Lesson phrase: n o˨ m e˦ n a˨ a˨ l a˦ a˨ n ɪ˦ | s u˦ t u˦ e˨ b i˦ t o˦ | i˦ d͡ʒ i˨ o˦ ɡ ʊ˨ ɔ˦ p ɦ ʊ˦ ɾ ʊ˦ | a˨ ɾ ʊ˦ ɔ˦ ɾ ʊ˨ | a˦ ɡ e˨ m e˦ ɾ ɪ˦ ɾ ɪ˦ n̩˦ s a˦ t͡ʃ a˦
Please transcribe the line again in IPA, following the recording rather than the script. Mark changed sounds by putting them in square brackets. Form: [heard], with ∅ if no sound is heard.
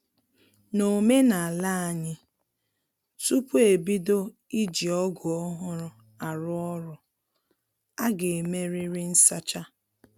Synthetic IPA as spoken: n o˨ m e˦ n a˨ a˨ l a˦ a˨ [ɲ] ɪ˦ | s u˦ [p] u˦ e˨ b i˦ [d] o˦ | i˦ d͡ʒ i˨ [ɔ˦] ɡ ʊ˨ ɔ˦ [∅] ɦ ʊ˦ ɾ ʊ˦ | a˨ ɾ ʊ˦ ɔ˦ ɾ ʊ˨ | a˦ ɡ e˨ m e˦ ɾ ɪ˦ ɾ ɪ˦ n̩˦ s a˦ t͡ʃ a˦